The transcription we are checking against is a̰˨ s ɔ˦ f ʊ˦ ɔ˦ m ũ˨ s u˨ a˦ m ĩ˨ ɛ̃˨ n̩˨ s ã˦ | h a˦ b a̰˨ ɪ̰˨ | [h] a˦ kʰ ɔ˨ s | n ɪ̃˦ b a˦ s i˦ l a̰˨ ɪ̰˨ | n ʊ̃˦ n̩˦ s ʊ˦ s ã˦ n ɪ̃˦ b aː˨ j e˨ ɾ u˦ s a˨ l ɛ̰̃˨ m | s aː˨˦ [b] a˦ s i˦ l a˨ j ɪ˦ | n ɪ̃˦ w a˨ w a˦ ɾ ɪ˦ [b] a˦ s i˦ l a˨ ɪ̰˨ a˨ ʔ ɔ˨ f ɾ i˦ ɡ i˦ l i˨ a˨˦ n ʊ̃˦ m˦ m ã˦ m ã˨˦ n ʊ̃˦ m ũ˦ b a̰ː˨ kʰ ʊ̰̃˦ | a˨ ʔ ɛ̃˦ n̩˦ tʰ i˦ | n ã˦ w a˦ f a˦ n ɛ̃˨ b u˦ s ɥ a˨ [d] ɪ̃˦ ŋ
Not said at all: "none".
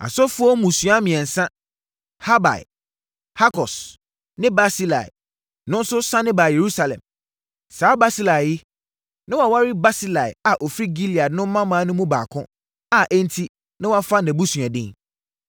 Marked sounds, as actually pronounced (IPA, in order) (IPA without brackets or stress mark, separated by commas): h, b, b, d